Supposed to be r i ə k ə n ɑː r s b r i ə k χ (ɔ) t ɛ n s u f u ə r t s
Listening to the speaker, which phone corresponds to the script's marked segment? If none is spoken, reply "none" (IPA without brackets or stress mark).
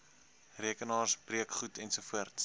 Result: u